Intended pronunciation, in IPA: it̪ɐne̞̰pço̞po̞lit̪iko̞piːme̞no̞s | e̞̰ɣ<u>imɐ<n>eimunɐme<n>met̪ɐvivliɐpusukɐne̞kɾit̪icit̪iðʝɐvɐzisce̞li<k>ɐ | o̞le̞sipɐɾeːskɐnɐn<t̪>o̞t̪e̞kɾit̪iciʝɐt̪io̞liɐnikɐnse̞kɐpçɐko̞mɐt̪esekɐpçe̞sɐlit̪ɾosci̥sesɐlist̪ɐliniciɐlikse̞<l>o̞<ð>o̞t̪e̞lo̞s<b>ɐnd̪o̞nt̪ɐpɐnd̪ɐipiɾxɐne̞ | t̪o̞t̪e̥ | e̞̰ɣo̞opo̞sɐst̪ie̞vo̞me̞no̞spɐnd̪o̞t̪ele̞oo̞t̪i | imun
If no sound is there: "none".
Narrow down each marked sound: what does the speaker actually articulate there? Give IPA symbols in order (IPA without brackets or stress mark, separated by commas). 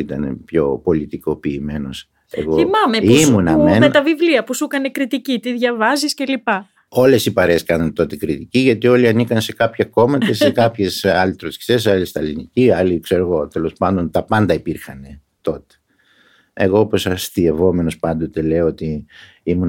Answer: o, m, n, p, t̪, ɾ, ɣ, p